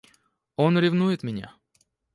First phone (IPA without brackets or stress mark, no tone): o̞